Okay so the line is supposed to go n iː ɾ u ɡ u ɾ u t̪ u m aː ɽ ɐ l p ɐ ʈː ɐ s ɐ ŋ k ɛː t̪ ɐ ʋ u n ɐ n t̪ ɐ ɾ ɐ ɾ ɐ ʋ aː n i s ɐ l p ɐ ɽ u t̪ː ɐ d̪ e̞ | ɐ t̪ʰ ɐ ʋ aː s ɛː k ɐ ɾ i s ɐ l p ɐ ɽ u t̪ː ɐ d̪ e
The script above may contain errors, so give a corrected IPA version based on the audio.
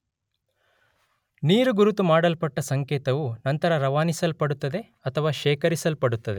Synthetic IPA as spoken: n iː ɾ u ɡ u ɾ u t̪ u m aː ɽ ɐ l p ɐ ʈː ɐ s ɐ ŋ k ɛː t̪ ɐ ʋ u n ɐ n t̪ ɐ ɾ ɐ ɾ ɐ ʋ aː n i s ɐ l p ɐ ɽ u t̪ː ɐ d̪ e̞ | ɐ t̪ʰ ɐ ʋ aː ʃ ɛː k ɐ ɾ i s ɐ l p ɐ ɽ u t̪ː ɐ d̪ e